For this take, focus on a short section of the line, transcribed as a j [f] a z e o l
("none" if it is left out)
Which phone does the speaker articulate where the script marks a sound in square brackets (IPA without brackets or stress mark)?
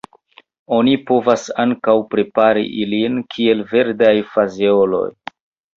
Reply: f